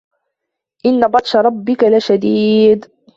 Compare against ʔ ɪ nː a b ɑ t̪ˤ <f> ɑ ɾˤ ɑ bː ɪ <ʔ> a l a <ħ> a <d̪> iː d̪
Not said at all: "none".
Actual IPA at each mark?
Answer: ʃ, k, ʃ, d̪

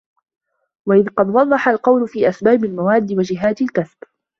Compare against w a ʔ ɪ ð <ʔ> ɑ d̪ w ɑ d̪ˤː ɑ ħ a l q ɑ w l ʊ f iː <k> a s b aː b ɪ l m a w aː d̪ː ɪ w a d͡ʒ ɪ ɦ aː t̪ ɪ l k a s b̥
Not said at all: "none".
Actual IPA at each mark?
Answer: q, ʔ

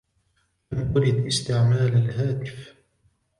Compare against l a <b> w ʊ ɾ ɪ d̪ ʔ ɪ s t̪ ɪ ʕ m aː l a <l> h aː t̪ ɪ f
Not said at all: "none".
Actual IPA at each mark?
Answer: m, l

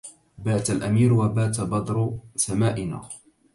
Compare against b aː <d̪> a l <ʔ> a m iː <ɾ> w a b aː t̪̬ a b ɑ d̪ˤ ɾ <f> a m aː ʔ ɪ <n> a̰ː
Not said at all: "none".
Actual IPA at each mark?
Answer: t̪, ʔ, ɾ, s, n

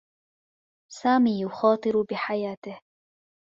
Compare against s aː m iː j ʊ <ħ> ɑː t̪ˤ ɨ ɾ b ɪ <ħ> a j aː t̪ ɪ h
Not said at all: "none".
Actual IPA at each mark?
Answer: x, ħ

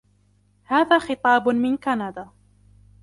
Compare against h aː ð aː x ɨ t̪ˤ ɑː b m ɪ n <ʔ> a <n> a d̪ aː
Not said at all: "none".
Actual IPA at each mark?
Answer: k, n

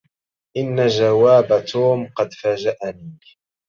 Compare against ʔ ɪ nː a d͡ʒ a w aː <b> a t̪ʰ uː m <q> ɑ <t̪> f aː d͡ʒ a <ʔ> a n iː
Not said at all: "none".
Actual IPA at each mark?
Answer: b, q, d̪, ʔ

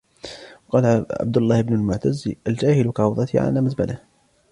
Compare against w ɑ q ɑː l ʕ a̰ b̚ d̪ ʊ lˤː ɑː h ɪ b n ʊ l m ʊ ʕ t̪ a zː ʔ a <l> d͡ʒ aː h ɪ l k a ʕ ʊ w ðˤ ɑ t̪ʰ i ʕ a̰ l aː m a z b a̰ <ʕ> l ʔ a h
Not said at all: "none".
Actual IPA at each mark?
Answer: l, none

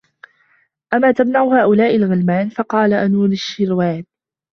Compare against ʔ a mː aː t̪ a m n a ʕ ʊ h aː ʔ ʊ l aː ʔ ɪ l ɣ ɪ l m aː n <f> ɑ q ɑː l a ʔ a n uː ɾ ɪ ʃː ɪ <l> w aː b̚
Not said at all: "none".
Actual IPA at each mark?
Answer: f, ɾ

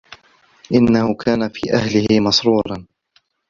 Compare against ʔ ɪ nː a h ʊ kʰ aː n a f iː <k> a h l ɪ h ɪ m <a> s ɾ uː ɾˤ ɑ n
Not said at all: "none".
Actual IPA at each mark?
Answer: ʔ, ɑ

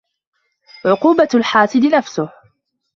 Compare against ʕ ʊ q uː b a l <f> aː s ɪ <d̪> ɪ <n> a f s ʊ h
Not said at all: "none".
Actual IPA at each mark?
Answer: ħ, d̪, n

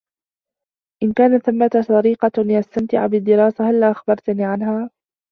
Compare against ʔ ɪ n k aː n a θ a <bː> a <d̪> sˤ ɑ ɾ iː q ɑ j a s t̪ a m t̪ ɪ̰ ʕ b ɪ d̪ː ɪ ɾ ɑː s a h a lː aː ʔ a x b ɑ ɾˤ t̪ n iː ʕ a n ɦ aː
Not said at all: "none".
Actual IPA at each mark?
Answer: mː, t̪

